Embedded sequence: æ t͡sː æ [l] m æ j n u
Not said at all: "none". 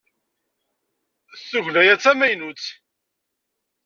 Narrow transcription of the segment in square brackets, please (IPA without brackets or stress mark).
none